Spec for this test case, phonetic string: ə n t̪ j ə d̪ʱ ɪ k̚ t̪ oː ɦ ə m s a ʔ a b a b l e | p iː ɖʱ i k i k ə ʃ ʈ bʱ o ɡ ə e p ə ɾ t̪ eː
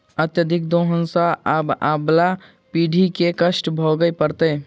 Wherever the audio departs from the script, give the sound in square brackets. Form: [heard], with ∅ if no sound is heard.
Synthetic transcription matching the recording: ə [∅] t̪ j ə d̪ʱ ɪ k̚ [d̪] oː ɦ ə [n] s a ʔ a b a b l [a] | p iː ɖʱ i k [e] k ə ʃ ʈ bʱ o ɡ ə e p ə ɾ t̪ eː